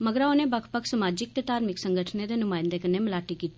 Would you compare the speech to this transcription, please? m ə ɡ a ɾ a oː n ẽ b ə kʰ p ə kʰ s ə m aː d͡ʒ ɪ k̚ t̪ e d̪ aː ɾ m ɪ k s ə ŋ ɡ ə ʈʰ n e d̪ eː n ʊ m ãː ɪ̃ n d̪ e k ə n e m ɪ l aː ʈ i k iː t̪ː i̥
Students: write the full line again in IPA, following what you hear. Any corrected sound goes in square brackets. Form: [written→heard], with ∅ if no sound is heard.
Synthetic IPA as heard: m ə ɡ [a→ə] ɾ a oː n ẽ b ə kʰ p ə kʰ s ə m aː d͡ʒ ɪ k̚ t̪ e [d̪→t̪] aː ɾ m ɪ k s ə ŋ ɡ ə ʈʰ n e d̪ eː n ʊ m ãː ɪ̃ n d̪ e k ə n e m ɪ l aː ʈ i k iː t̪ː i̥

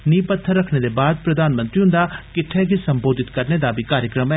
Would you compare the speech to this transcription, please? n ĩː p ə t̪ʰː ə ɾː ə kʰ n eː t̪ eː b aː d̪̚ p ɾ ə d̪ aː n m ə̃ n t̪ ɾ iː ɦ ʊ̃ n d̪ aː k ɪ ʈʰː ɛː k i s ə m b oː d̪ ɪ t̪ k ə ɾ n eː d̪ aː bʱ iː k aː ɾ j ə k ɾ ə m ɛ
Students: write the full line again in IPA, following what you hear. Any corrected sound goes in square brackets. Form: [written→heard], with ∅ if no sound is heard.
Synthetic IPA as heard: n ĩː p ə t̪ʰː ə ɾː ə kʰ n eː [t̪→d̪] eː b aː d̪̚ p ɾ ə d̪ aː n m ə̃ n t̪ ɾ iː ɦ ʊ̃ n d̪ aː k ɪ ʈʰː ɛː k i s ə m b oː d̪ ɪ t̪ k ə ɾ n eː d̪ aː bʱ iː k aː ɾ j ə k ɾ ə m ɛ

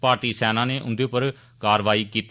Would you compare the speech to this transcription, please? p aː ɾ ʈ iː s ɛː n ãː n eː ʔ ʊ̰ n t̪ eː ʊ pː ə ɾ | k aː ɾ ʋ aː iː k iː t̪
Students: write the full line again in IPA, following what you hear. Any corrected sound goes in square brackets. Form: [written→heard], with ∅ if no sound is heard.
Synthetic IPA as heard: p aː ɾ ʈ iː s ɛː n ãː n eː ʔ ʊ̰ n [t̪→d̪] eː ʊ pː ə ɾ | k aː ɾ ʋ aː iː k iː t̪

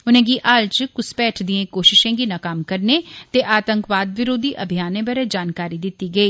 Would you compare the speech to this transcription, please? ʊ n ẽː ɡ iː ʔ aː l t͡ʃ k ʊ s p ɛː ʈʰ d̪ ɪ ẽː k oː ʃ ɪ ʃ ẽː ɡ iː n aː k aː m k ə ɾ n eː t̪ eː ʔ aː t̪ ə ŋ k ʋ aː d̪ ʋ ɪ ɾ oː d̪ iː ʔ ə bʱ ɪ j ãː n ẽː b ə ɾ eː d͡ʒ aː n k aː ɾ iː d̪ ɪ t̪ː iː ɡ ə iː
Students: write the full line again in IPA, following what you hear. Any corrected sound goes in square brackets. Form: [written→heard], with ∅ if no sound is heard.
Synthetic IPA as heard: ʊ n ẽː ɡ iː ʔ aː l t͡ʃ k ʊ s p ɛː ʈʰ d̪ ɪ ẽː k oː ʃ ɪ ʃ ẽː ɡ iː n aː k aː m k ə ɾ n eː t̪ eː ʔ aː t̪ ə ŋ k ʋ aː d̪ ʋ ɪ ɾ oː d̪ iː ʔ ə bʱ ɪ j [ãː→aː] n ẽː b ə ɾ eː d͡ʒ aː n k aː ɾ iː d̪ ɪ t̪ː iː ɡ ə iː

